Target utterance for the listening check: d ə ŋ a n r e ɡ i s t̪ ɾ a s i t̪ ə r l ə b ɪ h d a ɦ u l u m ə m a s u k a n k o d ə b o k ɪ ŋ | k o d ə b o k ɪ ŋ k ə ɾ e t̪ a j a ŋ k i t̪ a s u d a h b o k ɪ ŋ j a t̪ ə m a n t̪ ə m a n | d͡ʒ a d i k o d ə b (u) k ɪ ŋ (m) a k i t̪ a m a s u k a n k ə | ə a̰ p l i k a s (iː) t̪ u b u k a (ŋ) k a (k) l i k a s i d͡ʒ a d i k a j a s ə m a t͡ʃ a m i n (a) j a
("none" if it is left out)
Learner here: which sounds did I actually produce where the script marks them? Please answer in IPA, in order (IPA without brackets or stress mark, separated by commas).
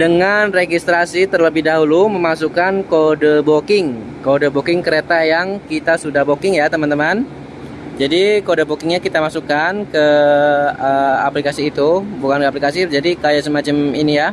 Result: o, ɲ, iː, n, p, i